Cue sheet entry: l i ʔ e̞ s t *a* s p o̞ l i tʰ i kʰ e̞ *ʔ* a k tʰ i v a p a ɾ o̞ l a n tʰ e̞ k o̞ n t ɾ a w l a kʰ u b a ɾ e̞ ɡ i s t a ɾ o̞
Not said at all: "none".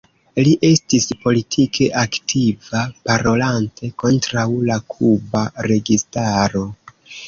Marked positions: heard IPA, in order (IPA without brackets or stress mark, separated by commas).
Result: i, ʔ